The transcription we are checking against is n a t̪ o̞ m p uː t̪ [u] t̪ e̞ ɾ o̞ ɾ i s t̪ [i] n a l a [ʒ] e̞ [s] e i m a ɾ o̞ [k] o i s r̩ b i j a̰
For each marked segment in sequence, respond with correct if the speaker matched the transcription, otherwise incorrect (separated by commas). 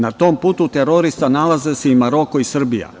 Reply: correct, incorrect, incorrect, correct, correct